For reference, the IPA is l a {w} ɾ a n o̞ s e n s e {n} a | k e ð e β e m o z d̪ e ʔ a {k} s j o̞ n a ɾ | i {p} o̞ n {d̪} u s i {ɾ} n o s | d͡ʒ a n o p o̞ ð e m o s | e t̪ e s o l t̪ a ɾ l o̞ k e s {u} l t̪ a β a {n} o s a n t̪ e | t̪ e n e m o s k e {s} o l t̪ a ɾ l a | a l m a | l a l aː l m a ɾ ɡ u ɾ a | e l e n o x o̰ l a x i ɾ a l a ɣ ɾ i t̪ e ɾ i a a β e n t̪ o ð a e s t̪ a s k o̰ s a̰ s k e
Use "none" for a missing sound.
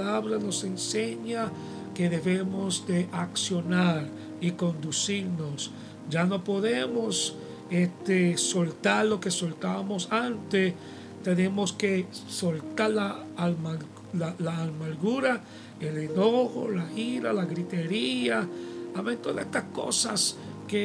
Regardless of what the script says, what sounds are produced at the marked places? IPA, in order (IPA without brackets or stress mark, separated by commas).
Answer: β, ɲ, k, k, d̪, ɾ, o, m, s